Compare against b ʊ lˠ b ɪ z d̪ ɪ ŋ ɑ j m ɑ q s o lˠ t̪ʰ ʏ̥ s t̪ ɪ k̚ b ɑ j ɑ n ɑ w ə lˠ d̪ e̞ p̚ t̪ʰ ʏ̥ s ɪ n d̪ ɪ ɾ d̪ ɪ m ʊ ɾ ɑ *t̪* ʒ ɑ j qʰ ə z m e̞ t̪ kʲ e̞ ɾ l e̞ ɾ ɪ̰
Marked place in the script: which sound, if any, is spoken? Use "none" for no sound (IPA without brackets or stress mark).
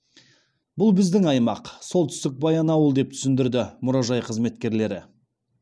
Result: none